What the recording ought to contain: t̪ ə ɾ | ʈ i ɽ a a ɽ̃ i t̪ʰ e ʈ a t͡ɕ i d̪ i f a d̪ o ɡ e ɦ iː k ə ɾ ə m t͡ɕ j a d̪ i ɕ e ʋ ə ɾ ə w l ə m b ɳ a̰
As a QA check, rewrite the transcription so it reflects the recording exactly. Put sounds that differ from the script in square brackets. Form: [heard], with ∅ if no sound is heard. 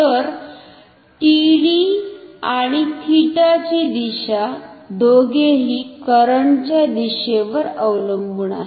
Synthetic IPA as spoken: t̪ ə ɾ | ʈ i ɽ [i] a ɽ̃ i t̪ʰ [i] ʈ a t͡ɕ i d̪ i [ɕ] a d̪ o ɡ e ɦ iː k ə ɾ ə [ɳ] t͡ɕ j a d̪ i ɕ e ʋ ə ɾ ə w l ə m b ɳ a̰